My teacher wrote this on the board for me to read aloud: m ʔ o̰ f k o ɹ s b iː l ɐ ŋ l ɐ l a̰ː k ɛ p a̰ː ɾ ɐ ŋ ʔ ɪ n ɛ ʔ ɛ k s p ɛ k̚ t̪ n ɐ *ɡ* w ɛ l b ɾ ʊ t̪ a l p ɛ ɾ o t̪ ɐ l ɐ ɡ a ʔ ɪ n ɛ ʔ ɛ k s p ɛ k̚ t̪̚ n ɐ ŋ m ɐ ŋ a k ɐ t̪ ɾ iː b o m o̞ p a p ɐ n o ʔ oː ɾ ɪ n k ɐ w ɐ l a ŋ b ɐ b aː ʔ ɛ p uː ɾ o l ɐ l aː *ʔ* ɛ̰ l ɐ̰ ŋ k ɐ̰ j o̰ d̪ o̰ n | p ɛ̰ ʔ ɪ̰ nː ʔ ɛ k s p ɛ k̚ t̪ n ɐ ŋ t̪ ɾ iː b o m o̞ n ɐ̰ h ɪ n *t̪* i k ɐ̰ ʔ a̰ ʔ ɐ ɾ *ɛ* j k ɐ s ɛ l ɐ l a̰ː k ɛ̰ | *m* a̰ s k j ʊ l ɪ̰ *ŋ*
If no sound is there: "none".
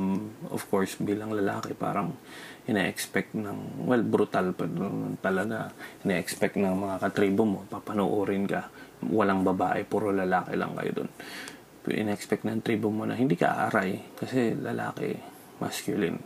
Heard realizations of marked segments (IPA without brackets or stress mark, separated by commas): ŋ, k, d̪, a, m, n